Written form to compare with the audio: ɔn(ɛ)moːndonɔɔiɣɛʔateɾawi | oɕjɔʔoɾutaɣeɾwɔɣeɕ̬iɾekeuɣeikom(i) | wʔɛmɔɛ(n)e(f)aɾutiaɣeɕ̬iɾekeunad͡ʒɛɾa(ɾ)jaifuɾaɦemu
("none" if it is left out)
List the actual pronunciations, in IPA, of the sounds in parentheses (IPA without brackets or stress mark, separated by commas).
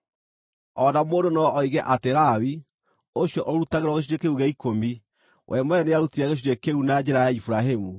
a, i, n, none, none